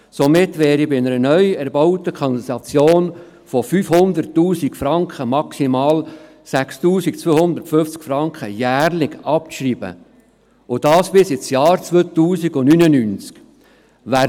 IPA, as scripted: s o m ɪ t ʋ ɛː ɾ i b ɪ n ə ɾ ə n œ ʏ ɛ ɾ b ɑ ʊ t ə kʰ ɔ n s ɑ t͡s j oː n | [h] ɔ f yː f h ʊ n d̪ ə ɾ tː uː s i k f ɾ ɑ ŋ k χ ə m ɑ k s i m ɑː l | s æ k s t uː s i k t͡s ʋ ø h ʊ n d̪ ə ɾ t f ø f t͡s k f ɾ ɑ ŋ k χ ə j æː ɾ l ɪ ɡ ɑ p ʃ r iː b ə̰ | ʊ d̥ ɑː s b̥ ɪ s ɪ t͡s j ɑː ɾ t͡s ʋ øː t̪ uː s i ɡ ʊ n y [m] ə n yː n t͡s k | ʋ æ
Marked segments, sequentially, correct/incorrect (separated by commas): incorrect, incorrect